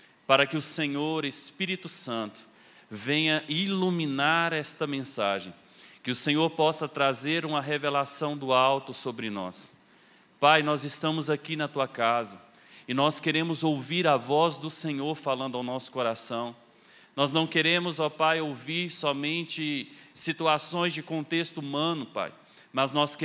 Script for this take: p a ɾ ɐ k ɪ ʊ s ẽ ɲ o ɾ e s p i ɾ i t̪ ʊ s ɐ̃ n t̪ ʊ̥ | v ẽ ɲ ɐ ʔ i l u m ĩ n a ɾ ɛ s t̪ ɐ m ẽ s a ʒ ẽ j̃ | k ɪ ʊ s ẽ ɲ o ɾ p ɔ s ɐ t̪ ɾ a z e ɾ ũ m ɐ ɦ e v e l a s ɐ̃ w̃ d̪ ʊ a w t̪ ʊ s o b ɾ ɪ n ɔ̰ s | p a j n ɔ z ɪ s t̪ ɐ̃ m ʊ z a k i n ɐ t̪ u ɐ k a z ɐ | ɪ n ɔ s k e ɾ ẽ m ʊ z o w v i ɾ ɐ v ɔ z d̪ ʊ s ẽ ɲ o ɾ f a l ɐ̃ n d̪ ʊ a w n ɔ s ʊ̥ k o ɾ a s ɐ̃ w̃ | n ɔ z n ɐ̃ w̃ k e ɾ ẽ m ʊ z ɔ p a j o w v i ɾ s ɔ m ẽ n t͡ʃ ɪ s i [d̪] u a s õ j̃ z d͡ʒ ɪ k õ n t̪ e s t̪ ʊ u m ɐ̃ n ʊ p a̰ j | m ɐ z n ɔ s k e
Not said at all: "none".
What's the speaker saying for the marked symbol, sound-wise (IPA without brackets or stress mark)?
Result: t̪